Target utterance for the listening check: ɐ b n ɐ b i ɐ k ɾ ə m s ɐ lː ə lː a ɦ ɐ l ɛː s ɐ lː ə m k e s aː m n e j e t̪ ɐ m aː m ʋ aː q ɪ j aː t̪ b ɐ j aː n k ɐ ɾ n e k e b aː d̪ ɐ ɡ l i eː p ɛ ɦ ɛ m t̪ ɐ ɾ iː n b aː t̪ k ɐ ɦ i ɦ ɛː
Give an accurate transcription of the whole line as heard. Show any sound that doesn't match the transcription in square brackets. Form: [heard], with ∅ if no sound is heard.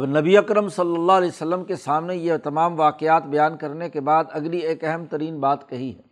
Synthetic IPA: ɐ b n ɐ b i ɐ k ɾ ə m s ɐ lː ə lː a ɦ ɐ l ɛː s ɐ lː ə m k e s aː m n e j e t̪ ɐ m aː m ʋ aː q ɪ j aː t̪ b ɐ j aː n k ɐ ɾ n e k e b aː d̪ ɐ ɡ l i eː [k] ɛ ɦ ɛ m t̪ ɐ ɾ iː n b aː t̪ k ɐ ɦ i ɦ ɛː